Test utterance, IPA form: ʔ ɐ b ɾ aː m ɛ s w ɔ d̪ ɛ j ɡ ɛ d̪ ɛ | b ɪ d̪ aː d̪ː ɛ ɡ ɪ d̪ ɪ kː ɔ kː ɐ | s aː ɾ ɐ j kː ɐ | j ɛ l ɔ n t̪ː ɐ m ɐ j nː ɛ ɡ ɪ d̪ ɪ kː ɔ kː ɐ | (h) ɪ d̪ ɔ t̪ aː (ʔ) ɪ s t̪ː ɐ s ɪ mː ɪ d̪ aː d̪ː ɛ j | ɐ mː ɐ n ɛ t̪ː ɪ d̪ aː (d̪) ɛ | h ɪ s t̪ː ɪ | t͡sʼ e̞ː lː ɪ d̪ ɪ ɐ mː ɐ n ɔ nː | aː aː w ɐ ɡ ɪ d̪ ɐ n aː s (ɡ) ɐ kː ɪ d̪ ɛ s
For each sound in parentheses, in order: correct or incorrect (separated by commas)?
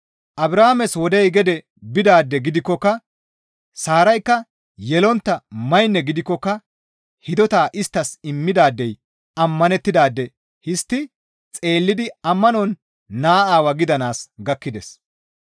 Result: correct, correct, incorrect, correct